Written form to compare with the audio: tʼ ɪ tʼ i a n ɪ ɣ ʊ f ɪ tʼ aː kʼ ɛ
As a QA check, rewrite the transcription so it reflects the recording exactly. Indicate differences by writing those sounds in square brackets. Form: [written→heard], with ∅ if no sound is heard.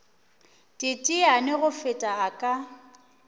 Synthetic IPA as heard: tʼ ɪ tʼ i a n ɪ ɣ ʊ f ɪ tʼ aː kʼ [ɛ→a]